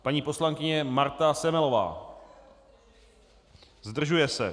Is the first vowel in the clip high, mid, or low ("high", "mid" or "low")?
low